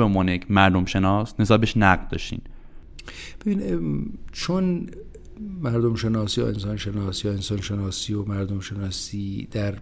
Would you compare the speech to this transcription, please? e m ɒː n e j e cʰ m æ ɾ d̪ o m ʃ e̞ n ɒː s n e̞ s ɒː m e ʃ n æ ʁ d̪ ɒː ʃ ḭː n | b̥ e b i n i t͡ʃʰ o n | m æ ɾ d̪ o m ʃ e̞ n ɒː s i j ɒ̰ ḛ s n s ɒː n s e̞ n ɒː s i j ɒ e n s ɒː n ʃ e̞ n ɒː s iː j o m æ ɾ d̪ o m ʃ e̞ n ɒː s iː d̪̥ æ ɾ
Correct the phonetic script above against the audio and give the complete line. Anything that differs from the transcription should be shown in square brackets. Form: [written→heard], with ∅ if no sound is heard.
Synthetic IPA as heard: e m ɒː n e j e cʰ m æ ɾ d̪ o m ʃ e̞ n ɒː s n e̞ s ɒː [m→b] e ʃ n æ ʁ d̪ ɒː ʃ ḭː n | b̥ e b i n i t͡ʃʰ o n | m æ ɾ d̪ o m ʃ e̞ n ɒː s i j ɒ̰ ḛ [s→∅] n s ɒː n [s→ʃ] e̞ n ɒː s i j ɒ e n s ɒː n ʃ e̞ n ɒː s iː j o m æ ɾ d̪ o m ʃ e̞ n ɒː s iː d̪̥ æ ɾ